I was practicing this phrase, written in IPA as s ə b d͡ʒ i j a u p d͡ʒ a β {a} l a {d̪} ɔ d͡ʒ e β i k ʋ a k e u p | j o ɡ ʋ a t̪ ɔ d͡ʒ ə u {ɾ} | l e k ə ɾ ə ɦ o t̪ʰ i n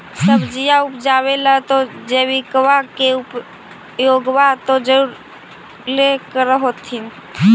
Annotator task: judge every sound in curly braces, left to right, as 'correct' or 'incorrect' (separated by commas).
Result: incorrect, incorrect, correct